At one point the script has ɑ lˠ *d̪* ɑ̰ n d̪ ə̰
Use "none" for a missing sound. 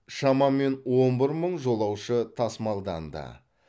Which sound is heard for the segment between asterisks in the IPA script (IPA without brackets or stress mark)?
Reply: d̪